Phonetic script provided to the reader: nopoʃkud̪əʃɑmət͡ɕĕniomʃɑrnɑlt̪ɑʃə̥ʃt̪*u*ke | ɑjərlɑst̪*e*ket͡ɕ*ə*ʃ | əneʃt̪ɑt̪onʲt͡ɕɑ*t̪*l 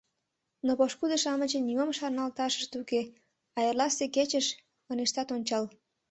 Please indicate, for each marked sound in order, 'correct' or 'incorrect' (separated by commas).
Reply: correct, correct, correct, incorrect